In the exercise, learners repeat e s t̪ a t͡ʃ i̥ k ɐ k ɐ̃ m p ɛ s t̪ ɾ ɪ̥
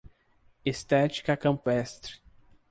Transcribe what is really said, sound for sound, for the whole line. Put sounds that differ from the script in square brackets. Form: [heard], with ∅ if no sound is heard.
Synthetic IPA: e s t̪ [ɛ] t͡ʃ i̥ k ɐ k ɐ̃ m p ɛ s t̪ ɾ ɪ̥